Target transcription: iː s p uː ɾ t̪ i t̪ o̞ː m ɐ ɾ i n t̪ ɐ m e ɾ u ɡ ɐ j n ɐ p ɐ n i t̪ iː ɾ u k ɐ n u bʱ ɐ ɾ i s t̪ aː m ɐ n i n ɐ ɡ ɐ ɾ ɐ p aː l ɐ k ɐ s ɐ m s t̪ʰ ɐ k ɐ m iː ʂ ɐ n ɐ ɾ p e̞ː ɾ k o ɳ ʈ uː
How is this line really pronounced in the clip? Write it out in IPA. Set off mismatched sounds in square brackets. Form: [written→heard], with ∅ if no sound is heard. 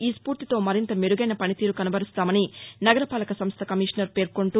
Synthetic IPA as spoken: iː s p uː ɾ t̪ i t̪ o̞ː m ɐ ɾ i n t̪ ɐ m e ɾ u ɡ ɐ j n ɐ p ɐ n i t̪ iː ɾ u k ɐ n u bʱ ɐ ɾ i s t̪ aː m ɐ n i n ɐ ɡ ɐ ɾ ɐ p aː l ɐ k ɐ s ɐ m s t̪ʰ ɐ k ɐ m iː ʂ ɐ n ɐ ɾ p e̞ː ɾ k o ɳ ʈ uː